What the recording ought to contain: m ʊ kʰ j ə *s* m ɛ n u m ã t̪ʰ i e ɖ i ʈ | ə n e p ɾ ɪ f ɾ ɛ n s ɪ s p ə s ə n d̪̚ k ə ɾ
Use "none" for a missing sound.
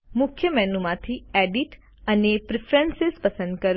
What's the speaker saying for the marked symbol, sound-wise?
none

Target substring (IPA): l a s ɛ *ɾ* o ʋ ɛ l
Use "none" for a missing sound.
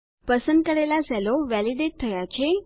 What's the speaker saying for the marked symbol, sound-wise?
l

